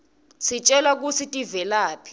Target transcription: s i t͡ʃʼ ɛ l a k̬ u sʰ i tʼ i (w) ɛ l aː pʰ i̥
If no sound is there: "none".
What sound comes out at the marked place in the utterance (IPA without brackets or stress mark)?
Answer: v